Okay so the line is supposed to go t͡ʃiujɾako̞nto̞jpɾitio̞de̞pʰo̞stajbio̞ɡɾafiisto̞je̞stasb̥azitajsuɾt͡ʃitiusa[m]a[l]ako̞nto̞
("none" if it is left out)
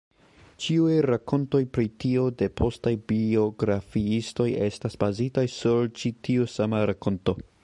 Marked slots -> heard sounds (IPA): m, ɾ

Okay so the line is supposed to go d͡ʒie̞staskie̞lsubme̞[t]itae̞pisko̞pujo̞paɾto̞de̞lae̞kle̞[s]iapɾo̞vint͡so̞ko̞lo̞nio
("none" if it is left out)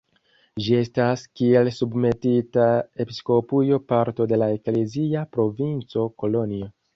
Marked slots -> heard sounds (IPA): t, z

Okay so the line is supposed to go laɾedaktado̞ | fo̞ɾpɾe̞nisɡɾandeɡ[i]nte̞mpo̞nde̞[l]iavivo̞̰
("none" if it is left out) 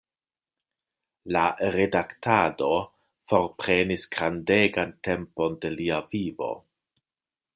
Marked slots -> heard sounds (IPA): a, l

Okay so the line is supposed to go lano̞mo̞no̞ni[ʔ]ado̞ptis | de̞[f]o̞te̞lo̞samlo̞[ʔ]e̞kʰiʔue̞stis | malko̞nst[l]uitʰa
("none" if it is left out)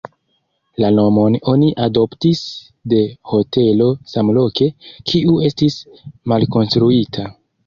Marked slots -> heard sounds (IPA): ʔ, h, k, ɾ

